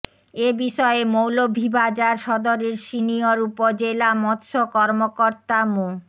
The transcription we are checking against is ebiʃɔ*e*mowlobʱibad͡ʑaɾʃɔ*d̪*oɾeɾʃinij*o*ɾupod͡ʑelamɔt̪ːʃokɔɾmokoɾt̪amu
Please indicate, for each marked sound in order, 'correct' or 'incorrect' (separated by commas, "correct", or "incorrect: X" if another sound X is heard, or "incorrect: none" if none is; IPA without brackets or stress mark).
correct, correct, correct